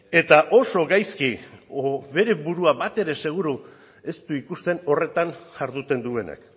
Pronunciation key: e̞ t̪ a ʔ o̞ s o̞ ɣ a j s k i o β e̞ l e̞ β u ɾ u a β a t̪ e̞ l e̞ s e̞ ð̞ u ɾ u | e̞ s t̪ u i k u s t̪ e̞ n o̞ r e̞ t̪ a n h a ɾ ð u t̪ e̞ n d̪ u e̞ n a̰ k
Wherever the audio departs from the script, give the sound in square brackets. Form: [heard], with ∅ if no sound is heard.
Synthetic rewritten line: e̞ t̪ a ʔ o̞ s o̞ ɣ a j s k i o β e̞ [ɾ] e̞ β u ɾ u a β a t̪ e̞ [ɾ] e̞ s e̞ [ɣ̞] u ɾ u | e̞ s t̪ u i k u s t̪ e̞ n o̞ r e̞ t̪ a n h a ɾ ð u t̪ e̞ n d̪ u e̞ n a̰ k